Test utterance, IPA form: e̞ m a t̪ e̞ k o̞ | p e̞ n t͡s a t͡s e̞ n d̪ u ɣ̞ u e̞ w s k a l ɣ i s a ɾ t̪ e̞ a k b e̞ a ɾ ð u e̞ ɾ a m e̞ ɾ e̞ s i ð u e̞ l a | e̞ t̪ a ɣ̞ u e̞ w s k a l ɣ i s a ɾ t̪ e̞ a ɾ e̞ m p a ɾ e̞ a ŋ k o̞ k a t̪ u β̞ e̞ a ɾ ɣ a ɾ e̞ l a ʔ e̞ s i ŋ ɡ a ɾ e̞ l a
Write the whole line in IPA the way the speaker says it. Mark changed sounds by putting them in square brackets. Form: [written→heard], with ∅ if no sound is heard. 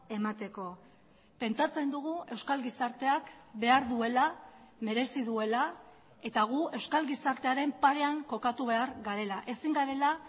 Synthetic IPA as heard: e̞ m a t̪ e̞ k o̞ | p e̞ n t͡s a t͡s e̞ n d̪ u ɣ̞ u e̞ w s k a l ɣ i s a ɾ t̪ e̞ a k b e̞ a ɾ ð u e̞ [ɾ→l] a m e̞ ɾ e̞ s i ð u e̞ l a | e̞ t̪ a ɣ̞ u e̞ w s k a l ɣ i s a ɾ t̪ e̞ a ɾ e̞ m p a ɾ e̞ a ŋ k o̞ k a t̪ u β̞ e̞ a ɾ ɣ a ɾ e̞ l a ʔ e̞ s i ŋ ɡ a ɾ e̞ l a